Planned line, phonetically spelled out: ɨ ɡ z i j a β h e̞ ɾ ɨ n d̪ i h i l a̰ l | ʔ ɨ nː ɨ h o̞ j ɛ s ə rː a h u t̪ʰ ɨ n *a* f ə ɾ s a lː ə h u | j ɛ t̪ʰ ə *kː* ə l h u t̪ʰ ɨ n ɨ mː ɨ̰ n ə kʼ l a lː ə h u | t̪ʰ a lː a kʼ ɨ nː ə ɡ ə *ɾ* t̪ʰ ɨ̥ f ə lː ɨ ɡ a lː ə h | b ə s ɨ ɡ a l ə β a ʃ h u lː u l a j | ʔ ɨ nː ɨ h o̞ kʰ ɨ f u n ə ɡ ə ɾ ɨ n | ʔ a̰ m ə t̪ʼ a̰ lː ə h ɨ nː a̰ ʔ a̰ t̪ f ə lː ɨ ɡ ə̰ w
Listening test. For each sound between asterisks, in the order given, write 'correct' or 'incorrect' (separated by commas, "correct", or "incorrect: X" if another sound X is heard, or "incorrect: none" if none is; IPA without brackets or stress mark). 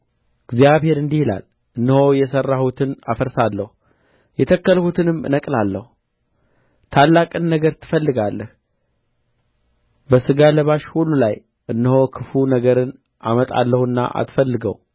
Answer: correct, correct, correct